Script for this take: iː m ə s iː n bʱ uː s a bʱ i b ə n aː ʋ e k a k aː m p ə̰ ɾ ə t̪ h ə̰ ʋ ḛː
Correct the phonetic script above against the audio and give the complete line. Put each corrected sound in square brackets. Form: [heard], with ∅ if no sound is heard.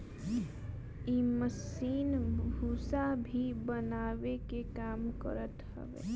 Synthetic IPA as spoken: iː m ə s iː n bʱ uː s a bʱ i b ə n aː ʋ e k [e] k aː m [k] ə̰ ɾ ə t̪ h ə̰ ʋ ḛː